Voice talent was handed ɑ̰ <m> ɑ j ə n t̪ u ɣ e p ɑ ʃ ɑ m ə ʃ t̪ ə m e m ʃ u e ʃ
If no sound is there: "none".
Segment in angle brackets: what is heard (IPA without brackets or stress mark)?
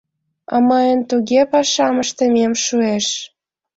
m